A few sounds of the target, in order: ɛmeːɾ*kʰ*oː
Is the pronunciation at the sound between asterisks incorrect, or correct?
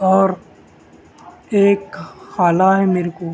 incorrect